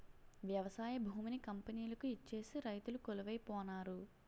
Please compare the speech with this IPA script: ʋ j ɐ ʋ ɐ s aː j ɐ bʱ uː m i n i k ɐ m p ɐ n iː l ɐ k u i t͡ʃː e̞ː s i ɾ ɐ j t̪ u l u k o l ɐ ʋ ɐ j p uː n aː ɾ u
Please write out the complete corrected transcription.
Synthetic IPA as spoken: ʋ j ɐ ʋ ɐ s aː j ɐ bʱ uː m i n i k ɐ m p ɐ n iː l ɐ k u i t͡ʃː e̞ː s i ɾ ɐ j t̪ u l u k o l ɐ ʋ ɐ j p ɔː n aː ɾ u